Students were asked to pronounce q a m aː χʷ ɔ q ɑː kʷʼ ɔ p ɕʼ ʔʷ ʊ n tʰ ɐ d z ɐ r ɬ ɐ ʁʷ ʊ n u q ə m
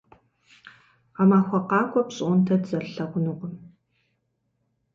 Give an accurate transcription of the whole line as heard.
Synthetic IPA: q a m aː xʷ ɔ q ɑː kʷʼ ɔ p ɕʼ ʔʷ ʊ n tʰ ɐ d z ɐ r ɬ ɐ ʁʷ ʊ n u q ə m